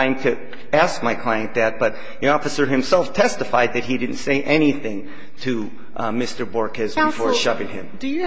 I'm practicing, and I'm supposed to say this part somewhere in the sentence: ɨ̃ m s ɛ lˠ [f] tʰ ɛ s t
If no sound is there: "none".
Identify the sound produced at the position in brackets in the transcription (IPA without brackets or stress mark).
f